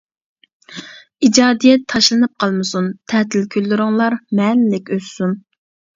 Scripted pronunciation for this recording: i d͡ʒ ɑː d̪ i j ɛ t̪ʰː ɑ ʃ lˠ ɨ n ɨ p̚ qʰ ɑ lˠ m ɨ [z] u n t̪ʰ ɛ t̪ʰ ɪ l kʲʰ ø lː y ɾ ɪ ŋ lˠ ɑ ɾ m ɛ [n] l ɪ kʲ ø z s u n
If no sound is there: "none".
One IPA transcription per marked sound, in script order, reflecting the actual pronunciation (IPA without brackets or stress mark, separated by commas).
s, n